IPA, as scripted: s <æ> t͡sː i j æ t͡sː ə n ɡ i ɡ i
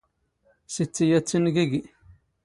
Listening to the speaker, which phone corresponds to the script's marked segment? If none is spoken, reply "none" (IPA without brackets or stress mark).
i